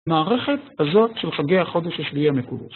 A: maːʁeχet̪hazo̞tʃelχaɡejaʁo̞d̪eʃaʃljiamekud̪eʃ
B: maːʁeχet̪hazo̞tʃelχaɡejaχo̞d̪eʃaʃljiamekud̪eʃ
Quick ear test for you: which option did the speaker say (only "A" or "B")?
B